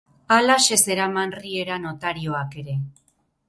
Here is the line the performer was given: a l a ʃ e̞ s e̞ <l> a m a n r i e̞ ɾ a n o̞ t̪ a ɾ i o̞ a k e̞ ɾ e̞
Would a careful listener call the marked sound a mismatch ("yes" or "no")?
yes